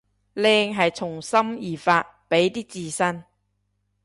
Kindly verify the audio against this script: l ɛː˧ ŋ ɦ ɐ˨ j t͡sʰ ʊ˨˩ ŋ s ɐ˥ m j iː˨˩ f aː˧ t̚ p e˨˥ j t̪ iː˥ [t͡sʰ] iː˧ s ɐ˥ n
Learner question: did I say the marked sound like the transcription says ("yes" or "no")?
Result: no